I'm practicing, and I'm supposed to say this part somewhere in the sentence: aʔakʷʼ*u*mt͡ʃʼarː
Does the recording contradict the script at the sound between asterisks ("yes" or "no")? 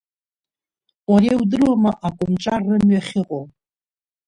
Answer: yes